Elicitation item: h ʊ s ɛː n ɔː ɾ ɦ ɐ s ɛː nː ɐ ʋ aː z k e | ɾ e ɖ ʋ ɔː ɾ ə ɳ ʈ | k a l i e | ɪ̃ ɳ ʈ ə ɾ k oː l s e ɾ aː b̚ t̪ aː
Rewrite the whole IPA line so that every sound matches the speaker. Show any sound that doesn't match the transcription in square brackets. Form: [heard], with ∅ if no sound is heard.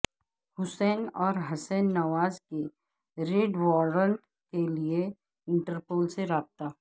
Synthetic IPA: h ʊ s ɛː n ɔː ɾ ɦ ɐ s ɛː nː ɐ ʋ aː z k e | ɾ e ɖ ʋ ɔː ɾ ə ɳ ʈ | k [e] l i e | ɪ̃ ɳ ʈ ə ɾ [p] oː l s e ɾ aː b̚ t̪ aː